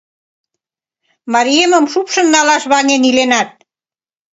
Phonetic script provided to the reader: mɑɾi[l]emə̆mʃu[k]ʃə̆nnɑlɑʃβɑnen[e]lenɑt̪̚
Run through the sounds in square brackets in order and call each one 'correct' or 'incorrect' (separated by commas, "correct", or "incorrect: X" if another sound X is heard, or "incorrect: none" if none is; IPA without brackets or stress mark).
incorrect: none, incorrect: p, incorrect: i